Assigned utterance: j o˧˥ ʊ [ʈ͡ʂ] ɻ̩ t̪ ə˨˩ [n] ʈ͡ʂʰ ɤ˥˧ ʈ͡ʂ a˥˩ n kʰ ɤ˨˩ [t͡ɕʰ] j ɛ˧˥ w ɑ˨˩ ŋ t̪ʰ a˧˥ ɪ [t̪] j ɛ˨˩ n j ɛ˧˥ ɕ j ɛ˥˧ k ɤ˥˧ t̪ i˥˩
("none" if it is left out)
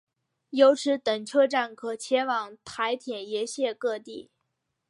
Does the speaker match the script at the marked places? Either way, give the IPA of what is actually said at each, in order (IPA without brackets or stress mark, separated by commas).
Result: ʈ͡ʂʰ, ŋ, t͡ɕʰ, t̪ʰ